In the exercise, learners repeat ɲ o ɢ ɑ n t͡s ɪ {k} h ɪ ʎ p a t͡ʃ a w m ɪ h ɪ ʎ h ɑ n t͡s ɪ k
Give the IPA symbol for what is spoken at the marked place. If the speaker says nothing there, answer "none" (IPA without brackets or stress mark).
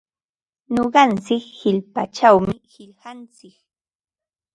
k